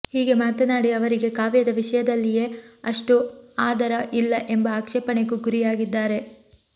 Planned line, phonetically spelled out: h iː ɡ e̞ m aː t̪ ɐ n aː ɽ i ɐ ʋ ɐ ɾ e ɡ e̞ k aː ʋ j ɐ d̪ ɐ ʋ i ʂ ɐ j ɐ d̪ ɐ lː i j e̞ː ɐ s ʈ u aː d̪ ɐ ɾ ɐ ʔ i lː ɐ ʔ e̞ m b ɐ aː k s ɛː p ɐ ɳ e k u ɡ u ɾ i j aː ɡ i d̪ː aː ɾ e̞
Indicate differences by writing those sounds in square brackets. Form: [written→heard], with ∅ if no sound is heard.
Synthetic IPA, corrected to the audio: h iː ɡ e̞ m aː t̪ ɐ n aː ɽ i ɐ ʋ ɐ ɾ [e→i] ɡ e̞ k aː ʋ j ɐ d̪ ɐ ʋ i ʂ ɐ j ɐ d̪ ɐ lː i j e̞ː ɐ [s→ʂ] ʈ u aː d̪ ɐ ɾ ɐ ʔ i lː ɐ ʔ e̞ m b ɐ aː k [s→ʂ] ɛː p ɐ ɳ e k u ɡ u ɾ i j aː ɡ i d̪ː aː ɾ e̞